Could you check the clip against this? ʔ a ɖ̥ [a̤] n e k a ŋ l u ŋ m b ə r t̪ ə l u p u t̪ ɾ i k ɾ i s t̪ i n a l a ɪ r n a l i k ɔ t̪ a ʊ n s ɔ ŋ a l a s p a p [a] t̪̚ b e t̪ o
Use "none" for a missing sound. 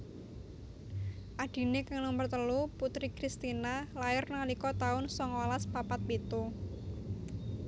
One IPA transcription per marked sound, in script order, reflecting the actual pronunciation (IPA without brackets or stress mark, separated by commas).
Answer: i̤, a